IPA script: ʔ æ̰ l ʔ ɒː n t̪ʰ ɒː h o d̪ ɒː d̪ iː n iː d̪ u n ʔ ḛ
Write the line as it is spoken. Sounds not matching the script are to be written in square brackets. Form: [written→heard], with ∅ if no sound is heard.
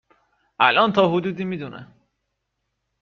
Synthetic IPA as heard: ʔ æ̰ l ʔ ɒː n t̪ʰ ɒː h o d̪ [ɒː→uː] d̪ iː [n→m] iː d̪ u n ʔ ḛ